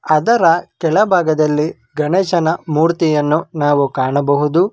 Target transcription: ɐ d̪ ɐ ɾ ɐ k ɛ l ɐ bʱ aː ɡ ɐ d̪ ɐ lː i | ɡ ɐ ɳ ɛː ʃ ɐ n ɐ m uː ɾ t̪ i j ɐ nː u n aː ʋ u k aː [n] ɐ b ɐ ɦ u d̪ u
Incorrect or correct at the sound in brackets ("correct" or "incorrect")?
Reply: incorrect